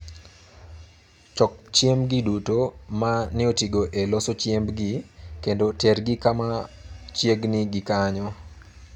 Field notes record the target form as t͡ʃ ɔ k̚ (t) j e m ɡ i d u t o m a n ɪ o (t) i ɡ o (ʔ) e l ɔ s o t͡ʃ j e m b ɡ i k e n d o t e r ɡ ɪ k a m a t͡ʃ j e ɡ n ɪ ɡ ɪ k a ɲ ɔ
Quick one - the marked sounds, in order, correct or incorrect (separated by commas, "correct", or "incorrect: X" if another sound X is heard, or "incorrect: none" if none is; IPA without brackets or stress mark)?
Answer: incorrect: t͡ʃ, correct, correct